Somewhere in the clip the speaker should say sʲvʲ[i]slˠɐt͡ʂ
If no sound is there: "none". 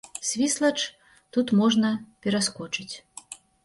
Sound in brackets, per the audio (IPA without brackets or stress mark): i